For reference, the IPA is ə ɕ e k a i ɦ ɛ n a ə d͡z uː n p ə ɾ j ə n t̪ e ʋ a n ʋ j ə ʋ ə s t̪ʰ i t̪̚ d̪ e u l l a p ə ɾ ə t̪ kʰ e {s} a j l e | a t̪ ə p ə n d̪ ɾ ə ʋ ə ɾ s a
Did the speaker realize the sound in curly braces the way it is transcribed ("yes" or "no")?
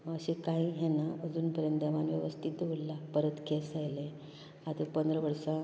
yes